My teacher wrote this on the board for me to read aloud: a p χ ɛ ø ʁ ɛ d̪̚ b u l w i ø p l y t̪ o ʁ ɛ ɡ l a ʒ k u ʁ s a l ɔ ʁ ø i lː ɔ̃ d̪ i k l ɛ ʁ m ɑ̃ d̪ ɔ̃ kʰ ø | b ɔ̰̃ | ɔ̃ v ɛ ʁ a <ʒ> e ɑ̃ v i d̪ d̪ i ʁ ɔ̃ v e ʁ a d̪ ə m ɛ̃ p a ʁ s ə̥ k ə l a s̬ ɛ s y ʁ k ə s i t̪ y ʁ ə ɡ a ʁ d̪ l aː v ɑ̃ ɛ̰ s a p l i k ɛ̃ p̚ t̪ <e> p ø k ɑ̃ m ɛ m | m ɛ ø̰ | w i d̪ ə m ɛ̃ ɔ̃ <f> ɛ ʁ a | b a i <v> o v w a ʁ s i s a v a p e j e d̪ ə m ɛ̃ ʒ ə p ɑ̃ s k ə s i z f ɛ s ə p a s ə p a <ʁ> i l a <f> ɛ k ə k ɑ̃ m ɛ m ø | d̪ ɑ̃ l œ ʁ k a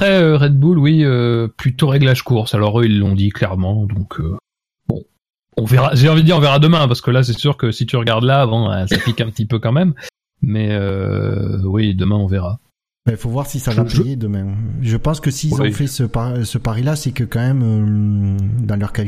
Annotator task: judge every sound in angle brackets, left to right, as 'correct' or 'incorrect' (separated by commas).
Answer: correct, incorrect, incorrect, incorrect, correct, incorrect